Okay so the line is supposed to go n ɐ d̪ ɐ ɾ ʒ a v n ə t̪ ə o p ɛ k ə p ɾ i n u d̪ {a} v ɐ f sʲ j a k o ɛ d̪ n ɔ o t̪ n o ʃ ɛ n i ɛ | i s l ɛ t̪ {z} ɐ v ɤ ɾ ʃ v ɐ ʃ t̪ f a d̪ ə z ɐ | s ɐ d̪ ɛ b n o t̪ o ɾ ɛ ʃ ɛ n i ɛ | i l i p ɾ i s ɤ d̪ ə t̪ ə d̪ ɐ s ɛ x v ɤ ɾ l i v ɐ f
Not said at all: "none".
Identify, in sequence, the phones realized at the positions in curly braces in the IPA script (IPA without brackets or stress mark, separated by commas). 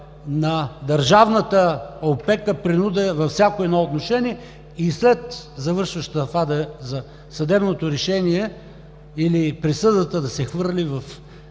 ɛ, z